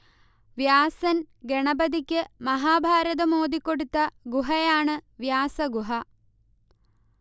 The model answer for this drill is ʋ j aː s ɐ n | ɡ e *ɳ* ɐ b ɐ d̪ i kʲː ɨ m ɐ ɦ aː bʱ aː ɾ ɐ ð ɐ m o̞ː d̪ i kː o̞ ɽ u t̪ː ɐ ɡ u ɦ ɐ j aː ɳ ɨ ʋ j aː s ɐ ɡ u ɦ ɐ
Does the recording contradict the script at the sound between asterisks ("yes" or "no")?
no